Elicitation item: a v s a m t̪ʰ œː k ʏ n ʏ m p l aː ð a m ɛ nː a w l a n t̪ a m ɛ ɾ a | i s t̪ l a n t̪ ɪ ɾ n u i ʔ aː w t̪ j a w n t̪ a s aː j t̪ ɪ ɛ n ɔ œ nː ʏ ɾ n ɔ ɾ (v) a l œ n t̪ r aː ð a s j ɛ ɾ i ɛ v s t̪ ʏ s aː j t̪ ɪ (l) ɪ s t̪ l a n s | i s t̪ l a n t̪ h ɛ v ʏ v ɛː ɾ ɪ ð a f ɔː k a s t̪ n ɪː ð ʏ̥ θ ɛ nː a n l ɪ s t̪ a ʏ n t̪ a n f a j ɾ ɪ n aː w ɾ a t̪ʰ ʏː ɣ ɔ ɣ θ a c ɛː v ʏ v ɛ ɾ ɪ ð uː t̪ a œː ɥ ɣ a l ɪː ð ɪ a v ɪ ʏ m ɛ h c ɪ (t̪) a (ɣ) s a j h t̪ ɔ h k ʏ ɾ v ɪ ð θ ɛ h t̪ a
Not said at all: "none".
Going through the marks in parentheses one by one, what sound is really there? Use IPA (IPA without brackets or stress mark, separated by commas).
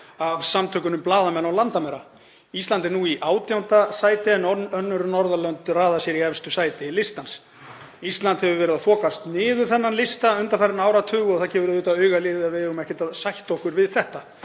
ð, l, t̪, ð